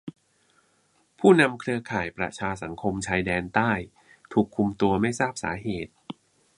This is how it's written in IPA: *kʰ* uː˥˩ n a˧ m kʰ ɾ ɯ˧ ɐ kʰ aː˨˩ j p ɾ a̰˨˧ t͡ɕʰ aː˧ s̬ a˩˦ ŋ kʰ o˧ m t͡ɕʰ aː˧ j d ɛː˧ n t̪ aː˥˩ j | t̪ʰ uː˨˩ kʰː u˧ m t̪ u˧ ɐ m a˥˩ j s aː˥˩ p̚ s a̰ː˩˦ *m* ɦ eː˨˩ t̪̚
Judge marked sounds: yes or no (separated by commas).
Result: no, no